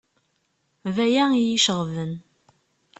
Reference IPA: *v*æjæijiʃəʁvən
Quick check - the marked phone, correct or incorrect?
correct